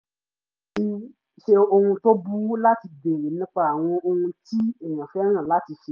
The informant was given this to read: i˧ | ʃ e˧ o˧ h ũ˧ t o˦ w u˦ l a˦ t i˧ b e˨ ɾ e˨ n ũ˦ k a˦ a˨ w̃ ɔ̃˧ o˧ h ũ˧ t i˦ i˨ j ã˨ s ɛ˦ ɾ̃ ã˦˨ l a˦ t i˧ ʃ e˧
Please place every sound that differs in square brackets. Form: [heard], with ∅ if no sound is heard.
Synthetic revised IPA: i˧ | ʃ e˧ o˧ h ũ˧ t o˦ [b] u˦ l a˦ t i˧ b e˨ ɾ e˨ n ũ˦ [k͡p] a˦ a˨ w̃ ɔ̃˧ o˧ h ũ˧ t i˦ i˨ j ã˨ [f] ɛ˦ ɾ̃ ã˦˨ l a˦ t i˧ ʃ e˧

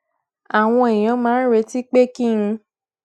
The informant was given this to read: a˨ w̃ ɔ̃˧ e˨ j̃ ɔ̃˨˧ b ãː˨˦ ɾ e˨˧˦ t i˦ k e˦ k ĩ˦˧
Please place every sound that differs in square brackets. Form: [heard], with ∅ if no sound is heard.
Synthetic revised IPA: a˨ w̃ ɔ̃˧ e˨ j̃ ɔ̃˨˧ [m] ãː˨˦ ɾ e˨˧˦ t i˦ [k͡p] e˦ k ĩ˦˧

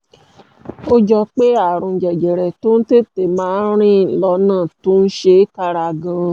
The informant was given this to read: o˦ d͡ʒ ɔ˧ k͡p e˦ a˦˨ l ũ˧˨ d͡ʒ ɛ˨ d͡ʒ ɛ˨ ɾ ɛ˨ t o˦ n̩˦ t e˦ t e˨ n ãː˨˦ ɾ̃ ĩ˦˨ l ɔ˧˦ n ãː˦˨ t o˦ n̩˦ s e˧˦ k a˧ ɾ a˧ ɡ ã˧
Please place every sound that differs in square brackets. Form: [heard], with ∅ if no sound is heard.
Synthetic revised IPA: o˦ d͡ʒ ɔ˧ k͡p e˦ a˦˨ [ɾ] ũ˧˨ d͡ʒ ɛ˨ d͡ʒ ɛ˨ ɾ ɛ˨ t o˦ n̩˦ t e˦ t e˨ [m] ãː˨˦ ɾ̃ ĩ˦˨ l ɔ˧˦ n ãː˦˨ t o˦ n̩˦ [ʃ] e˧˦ k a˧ ɾ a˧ ɡ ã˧

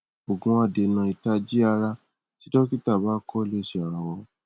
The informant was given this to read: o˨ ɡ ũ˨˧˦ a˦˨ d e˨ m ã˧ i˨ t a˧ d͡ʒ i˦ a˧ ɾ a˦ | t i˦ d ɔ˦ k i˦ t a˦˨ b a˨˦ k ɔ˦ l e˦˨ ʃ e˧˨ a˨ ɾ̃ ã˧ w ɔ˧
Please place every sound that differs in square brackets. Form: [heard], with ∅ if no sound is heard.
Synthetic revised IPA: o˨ ɡ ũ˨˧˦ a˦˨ d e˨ [n] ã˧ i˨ t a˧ d͡ʒ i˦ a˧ ɾ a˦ | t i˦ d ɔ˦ k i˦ t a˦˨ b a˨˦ k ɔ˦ l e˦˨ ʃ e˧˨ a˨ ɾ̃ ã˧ w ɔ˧

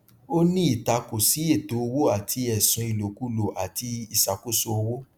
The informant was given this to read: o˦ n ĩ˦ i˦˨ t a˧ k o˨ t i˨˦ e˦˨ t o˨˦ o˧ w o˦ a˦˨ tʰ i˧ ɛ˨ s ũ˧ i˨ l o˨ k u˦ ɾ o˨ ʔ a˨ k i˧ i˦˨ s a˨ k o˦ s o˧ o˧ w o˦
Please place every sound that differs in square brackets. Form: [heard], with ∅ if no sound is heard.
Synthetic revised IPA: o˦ n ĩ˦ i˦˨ t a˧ k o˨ [s] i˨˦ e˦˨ t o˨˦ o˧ w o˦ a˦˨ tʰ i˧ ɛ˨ s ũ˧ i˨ l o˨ k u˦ [l] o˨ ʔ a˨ [t] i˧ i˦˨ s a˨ k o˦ s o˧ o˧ w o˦

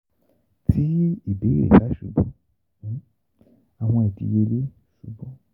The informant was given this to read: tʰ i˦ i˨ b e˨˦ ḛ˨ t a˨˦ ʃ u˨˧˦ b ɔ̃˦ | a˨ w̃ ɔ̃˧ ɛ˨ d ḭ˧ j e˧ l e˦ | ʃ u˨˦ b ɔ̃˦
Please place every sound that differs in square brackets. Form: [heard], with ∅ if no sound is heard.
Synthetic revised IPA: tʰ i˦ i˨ b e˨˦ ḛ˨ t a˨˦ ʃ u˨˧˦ b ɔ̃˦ | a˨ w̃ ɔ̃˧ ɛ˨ d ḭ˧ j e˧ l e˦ | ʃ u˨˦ b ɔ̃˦

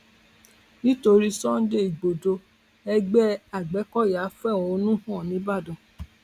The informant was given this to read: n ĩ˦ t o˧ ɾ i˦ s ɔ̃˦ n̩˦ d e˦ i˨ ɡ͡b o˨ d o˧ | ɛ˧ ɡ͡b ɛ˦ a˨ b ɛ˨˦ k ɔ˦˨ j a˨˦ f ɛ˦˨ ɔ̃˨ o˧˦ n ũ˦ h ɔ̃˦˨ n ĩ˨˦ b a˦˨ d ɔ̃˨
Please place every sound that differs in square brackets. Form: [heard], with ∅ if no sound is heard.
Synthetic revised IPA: n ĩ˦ t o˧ ɾ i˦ s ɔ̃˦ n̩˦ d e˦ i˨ ɡ͡b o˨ d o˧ | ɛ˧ ɡ͡b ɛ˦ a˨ [ɡ͡b] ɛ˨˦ k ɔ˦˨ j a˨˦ f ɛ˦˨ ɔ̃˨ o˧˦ n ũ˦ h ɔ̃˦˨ n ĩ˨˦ b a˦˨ d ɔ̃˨

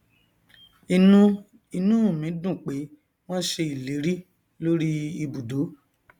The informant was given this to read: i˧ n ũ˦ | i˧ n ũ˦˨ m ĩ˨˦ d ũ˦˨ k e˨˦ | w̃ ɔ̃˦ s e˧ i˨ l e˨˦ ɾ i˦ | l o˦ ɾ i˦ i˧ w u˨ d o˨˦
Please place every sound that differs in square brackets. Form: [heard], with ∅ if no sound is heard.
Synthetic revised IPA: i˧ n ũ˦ | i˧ n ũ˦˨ m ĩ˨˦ d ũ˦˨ [k͡p] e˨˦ | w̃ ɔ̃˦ [ʃ] e˧ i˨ l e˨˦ ɾ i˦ | l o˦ ɾ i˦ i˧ [b] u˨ d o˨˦

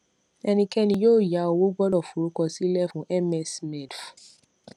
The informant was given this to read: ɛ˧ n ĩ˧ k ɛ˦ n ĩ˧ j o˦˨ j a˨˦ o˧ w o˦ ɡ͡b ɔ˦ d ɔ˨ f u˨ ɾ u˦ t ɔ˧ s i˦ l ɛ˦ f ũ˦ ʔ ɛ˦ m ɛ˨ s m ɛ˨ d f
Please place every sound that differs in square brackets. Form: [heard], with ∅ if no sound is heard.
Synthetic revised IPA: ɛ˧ n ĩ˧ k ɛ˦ n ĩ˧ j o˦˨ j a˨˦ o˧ w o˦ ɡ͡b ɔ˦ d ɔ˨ f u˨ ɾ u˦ [k] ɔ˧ s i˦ l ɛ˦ f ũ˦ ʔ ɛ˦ m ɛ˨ s m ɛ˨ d f

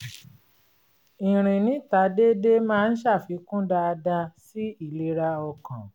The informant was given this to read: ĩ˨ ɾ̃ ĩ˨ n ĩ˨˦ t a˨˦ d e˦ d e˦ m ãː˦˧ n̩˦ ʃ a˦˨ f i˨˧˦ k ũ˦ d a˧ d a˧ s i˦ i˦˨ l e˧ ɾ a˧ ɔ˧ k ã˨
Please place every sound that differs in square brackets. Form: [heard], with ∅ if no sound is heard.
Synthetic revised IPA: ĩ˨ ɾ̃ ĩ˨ n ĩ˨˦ t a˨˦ d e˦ d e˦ m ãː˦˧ n̩˦ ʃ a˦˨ f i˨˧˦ k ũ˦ d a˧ d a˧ s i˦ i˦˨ l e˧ ɾ a˧ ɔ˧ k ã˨

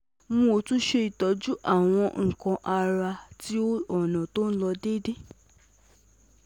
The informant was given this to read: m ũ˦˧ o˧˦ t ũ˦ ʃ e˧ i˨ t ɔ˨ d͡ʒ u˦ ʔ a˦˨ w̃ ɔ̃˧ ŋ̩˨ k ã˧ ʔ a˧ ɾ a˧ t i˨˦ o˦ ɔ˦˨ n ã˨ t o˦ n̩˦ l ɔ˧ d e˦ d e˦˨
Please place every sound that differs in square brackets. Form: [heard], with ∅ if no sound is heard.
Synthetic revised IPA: m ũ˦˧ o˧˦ t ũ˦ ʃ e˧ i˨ t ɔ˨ d͡ʒ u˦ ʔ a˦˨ w̃ ɔ̃˧ ŋ̩˨ k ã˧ ʔ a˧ ɾ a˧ t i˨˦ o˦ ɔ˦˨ n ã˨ t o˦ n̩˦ l ɔ˧ d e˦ d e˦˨

